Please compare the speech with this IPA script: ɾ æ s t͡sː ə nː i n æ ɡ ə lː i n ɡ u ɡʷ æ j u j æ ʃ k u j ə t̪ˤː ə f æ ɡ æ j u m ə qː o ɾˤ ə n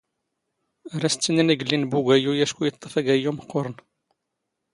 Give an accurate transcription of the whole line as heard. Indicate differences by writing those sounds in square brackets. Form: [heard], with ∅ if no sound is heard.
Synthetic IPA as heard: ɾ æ s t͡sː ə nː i n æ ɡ ə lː i n [b] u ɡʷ æ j u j æ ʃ k u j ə t̪ˤː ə f æ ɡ æ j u m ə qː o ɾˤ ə n